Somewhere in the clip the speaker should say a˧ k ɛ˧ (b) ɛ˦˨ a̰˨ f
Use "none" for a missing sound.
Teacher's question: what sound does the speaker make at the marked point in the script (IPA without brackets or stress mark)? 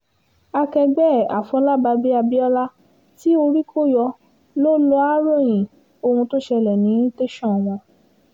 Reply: ɡ͡b